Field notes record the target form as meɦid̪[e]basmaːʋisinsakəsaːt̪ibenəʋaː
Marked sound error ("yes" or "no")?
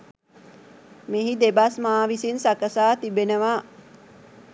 no